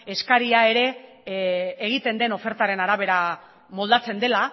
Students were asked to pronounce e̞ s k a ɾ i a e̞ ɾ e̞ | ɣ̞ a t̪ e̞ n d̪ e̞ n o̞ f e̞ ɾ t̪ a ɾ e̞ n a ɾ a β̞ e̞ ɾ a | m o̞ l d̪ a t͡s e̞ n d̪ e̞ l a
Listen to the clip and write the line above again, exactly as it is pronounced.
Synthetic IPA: e̞ s k a ɾ i a e̞ ɾ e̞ | ɣ̞ i t̪ e̞ n d̪ e̞ n o̞ f e̞ ɾ t̪ a ɾ e̞ n a ɾ a β̞ e̞ ɾ a | m o̞ l d̪ a t͡s e̞ n d̪ e̞ l a